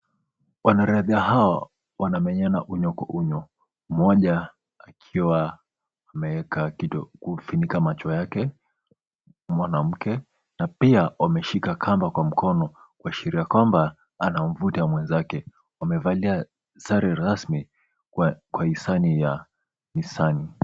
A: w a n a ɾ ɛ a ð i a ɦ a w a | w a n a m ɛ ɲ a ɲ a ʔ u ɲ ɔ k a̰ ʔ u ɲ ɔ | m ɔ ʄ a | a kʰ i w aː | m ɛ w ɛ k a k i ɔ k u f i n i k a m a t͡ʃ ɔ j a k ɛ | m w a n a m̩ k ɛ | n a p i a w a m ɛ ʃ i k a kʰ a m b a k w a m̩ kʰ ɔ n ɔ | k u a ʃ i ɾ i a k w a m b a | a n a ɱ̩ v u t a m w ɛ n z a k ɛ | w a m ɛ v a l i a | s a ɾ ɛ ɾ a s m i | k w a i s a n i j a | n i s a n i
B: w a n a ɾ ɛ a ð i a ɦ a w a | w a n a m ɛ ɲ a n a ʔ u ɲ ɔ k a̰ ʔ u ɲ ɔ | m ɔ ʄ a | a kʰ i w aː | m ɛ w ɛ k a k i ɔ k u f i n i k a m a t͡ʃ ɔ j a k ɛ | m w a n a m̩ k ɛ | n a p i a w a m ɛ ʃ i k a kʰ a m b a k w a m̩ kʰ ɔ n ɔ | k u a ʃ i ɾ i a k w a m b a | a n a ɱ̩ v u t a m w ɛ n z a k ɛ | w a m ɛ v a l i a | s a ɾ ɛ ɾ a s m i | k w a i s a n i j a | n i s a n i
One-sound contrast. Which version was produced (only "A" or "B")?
B